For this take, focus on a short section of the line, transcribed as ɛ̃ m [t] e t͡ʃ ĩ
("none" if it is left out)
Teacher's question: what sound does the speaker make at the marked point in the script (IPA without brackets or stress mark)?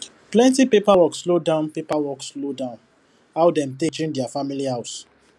t